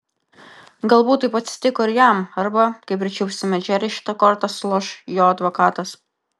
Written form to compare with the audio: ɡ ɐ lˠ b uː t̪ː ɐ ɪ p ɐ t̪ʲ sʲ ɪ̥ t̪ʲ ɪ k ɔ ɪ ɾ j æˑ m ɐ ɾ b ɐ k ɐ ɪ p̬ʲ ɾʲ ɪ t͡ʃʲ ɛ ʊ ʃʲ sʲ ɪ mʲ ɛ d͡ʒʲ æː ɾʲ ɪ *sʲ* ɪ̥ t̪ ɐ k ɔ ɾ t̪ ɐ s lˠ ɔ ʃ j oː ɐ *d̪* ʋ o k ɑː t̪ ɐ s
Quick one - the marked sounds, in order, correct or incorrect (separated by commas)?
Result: incorrect, correct